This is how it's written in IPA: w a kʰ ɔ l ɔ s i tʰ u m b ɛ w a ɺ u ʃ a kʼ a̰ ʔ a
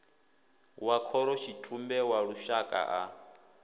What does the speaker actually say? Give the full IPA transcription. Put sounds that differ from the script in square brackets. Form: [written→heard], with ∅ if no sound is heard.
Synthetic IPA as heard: w a kʰ ɔ [l→ɾ] ɔ [s→ʃ] i tʰ u m b ɛ w a ɺ u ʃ a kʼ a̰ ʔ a